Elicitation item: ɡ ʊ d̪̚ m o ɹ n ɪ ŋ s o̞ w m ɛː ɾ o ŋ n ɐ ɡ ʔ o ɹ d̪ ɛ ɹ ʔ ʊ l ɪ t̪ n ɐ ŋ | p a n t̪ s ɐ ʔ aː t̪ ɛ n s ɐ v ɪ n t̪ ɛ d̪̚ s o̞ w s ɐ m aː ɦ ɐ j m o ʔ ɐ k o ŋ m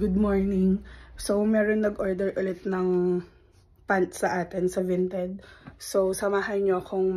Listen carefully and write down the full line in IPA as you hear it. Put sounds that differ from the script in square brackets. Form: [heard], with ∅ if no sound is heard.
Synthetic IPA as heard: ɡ ʊ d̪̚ m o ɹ n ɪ ŋ s o̞ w m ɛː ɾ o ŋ n ɐ ɡ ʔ o ɹ d̪ ɛ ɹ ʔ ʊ l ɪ t̪ n ɐ ŋ | p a n t̪ s ɐ ʔ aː t̪ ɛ n s ɐ v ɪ n t̪ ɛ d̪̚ s o̞ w s ɐ m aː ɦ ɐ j [ɲ] o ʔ ɐ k o ŋ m